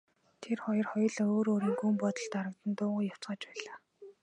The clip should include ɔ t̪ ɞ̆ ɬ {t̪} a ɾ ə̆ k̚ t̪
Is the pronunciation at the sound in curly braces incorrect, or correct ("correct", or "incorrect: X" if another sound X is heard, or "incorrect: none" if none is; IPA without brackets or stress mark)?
correct